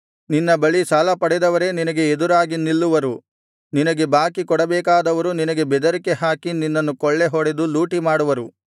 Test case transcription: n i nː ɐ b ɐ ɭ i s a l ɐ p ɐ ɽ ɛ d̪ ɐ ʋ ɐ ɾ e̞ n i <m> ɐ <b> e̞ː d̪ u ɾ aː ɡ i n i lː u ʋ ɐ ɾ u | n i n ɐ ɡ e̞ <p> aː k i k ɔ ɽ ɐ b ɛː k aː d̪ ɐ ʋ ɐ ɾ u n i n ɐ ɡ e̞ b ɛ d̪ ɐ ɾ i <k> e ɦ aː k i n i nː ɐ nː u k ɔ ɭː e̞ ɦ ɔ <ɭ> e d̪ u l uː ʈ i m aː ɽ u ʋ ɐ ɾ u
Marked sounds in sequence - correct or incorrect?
incorrect: n, incorrect: ɡ, incorrect: b, correct, incorrect: ɽ

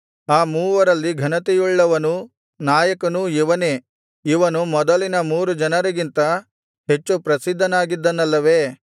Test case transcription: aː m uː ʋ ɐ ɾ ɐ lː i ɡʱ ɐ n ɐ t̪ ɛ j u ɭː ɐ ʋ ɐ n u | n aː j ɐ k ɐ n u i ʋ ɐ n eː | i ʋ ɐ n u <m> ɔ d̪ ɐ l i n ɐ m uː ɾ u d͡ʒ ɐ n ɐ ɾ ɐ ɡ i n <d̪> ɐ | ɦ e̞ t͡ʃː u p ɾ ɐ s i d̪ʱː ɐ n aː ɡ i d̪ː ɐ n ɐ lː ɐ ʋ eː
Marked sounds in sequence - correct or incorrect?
correct, incorrect: t̪

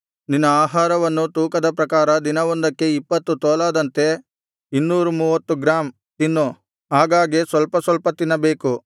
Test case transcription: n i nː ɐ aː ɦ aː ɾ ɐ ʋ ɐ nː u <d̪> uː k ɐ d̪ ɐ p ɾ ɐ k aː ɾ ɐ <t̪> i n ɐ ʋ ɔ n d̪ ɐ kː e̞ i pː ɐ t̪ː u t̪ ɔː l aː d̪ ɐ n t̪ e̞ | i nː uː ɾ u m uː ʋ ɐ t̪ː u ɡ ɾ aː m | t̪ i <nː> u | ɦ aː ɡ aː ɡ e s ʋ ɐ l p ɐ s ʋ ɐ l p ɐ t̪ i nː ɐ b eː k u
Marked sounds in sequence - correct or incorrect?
incorrect: t̪, incorrect: d̪, correct

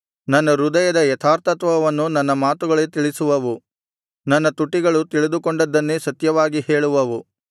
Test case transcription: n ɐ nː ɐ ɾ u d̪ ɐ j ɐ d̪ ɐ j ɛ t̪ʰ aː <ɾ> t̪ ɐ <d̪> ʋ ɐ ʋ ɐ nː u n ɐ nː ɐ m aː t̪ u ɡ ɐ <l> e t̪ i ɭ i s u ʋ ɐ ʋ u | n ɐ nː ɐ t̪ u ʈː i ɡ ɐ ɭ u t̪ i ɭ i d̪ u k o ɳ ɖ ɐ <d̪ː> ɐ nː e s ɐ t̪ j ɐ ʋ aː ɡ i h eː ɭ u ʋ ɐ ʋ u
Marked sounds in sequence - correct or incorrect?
correct, incorrect: t̪, incorrect: ɭ, correct

